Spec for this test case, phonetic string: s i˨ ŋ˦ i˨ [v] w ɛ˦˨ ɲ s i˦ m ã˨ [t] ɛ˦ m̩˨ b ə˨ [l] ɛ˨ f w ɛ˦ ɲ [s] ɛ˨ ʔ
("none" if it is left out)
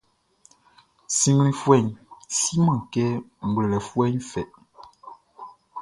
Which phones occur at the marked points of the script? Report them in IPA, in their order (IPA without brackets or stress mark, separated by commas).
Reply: f, k, l, f